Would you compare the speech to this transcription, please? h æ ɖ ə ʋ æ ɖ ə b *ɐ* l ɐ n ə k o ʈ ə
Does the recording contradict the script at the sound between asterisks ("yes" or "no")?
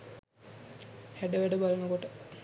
yes